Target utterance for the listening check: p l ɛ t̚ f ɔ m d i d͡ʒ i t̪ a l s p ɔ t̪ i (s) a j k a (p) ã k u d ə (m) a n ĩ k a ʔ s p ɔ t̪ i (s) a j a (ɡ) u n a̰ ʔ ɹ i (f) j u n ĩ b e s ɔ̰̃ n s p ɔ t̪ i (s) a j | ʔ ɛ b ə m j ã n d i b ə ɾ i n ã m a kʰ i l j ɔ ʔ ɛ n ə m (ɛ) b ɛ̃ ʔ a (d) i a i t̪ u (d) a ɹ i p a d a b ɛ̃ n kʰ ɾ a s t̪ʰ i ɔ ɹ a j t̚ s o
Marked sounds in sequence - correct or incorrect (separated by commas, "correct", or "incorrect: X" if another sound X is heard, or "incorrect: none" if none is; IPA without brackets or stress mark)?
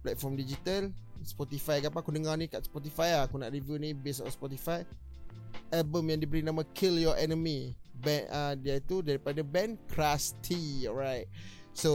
incorrect: f, correct, incorrect: ŋ, incorrect: f, incorrect: k, incorrect: v, incorrect: f, incorrect: i, correct, correct